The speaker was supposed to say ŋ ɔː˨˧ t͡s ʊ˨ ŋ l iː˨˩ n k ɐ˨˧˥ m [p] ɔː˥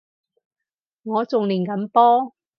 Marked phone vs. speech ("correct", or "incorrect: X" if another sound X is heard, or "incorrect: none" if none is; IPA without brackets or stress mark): correct